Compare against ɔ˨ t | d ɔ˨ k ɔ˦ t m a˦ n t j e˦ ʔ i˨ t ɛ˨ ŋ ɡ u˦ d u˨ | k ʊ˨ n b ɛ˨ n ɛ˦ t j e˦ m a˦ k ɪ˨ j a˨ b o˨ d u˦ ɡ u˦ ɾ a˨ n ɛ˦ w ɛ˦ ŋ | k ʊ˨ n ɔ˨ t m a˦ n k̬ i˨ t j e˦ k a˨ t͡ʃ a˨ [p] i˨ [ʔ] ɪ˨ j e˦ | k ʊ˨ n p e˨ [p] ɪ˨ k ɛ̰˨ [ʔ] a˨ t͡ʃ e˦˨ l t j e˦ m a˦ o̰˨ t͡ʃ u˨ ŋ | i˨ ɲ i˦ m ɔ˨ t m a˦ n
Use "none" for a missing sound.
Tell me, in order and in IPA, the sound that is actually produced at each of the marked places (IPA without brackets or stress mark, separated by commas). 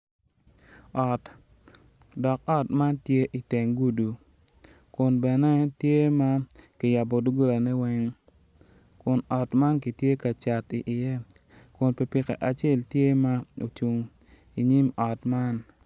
t, ʔ, p, ʔ